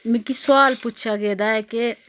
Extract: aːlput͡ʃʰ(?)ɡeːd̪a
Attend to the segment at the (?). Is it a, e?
a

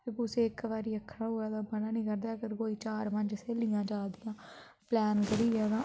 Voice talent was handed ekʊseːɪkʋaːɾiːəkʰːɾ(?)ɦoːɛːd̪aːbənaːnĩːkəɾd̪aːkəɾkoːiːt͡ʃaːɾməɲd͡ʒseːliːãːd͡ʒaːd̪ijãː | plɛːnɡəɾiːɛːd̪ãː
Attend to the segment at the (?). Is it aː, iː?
aː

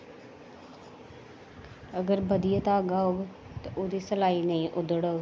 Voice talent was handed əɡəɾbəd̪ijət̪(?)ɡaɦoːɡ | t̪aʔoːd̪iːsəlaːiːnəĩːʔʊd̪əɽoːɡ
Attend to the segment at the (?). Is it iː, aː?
aː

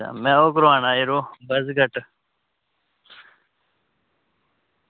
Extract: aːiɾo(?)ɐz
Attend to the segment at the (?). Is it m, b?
b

